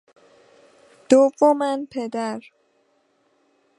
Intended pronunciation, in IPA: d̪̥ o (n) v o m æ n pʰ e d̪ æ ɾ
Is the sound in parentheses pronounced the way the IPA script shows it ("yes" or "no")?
no